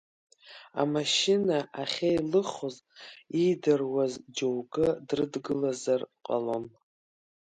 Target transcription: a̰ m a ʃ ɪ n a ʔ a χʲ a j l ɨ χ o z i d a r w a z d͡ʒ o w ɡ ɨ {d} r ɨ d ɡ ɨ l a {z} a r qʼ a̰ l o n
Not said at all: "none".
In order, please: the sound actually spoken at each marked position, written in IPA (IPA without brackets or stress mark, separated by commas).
d, z